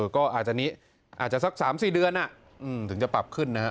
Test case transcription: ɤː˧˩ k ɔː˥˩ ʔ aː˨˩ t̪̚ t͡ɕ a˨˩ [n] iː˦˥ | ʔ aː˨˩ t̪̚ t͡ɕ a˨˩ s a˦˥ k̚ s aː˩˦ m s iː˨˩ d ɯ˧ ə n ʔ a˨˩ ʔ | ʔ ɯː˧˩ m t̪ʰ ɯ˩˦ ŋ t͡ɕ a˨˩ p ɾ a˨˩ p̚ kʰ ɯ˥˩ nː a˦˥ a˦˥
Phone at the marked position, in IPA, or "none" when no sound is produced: n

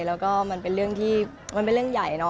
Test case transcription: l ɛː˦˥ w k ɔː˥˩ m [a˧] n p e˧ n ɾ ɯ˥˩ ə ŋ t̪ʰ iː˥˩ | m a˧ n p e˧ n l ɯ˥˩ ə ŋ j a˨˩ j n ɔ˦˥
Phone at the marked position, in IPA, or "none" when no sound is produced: a˧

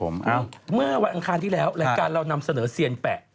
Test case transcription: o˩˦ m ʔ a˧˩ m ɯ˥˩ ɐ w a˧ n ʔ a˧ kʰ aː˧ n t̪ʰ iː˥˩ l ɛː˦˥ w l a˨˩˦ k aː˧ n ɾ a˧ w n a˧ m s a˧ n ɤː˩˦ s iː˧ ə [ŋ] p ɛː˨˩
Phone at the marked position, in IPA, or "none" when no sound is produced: n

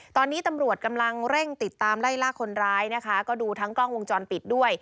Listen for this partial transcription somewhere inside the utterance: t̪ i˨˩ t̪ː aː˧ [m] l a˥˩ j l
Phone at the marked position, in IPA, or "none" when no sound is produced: m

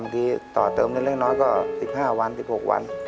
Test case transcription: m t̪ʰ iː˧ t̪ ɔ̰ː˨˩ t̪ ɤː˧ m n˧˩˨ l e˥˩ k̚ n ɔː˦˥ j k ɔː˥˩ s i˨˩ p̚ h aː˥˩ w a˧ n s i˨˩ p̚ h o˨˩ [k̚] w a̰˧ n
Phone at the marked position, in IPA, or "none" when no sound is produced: k̚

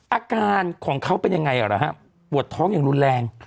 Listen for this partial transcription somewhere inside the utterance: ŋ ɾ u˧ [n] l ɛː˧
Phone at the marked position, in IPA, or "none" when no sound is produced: n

